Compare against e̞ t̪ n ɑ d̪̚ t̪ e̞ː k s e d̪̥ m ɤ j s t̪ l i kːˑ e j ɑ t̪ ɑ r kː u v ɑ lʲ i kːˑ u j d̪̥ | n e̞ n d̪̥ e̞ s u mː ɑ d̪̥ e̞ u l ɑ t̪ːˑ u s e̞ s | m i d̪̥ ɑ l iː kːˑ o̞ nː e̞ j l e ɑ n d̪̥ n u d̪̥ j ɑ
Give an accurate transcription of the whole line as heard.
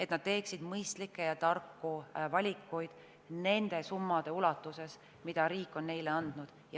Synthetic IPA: e̞ t̪ n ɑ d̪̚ t̪ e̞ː k s i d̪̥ m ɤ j s t̪ l i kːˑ e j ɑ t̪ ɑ r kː u v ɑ lʲ i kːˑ u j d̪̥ | n e̞ n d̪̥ e̞ s u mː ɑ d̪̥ e̞ u l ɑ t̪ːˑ u s e̞ s | m i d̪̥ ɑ ɾ iː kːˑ o̞ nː e̞ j l e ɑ n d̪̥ n u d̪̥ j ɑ